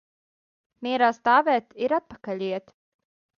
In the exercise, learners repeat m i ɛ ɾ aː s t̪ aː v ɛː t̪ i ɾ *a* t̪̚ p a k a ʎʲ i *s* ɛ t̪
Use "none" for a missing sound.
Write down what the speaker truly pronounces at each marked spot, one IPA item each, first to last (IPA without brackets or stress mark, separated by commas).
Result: a, none